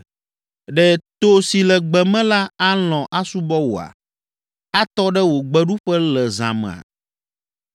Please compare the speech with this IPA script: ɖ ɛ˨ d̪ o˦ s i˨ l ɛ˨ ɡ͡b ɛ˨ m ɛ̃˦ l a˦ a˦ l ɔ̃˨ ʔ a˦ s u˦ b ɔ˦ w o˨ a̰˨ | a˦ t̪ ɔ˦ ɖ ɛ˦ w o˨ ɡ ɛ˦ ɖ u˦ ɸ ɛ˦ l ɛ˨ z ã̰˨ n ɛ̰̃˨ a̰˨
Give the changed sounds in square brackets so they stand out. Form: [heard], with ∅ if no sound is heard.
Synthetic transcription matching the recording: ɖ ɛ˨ [t̪] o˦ s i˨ l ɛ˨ ɡ͡b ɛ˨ m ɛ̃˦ l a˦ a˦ l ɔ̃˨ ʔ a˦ s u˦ b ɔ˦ w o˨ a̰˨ | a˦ t̪ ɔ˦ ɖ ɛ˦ w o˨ [ɡ͡b] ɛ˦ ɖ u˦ ɸ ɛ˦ l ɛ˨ z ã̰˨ [m] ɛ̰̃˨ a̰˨